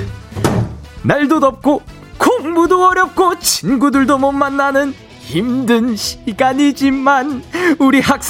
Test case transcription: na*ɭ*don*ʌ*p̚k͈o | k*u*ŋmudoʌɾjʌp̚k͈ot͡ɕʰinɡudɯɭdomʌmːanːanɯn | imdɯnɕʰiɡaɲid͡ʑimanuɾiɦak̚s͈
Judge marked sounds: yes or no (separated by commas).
yes, yes, no